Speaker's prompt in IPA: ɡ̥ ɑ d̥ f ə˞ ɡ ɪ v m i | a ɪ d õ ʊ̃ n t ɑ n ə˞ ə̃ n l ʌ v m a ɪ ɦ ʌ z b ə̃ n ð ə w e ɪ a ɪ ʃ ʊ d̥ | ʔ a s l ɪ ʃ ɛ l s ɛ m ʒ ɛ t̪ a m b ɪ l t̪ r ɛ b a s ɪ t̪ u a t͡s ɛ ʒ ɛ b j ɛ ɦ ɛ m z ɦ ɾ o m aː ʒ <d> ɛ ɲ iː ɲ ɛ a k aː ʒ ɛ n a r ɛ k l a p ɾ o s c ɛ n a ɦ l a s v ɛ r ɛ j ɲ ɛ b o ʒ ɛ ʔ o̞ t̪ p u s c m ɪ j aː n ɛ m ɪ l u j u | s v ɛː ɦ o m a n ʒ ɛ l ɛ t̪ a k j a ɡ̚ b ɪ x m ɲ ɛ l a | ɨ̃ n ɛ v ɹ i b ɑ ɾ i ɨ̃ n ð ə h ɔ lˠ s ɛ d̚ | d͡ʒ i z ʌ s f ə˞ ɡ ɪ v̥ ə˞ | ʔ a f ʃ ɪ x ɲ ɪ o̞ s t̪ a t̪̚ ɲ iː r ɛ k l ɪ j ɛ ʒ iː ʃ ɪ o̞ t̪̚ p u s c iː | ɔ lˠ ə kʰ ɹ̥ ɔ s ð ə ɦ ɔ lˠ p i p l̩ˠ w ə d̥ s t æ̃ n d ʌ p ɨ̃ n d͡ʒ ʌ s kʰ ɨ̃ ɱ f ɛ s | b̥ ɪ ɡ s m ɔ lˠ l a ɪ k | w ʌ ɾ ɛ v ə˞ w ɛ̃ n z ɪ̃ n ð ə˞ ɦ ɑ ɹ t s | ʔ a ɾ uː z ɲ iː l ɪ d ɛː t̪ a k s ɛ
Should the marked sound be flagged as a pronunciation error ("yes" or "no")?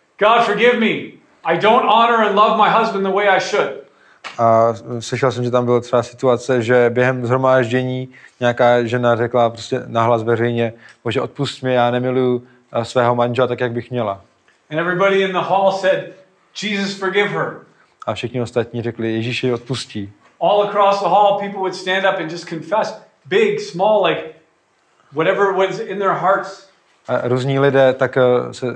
yes